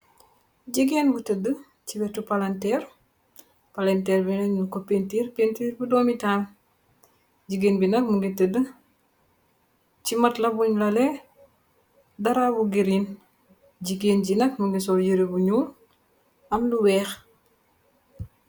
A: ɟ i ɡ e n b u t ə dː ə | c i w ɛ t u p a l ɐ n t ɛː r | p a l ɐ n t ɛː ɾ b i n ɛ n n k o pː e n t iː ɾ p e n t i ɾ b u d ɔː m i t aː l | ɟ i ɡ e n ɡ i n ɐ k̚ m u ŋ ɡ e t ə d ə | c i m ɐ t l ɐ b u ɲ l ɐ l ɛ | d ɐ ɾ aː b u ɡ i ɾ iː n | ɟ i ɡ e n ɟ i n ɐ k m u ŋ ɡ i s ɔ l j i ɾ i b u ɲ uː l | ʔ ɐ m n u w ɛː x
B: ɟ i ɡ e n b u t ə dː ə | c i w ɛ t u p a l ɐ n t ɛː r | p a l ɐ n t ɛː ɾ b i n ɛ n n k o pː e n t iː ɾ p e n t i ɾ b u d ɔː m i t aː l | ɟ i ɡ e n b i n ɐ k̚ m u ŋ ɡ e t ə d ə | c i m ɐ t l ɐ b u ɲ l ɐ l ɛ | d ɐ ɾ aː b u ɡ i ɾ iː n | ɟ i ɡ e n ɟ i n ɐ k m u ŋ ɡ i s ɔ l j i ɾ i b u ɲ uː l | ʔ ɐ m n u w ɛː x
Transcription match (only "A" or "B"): B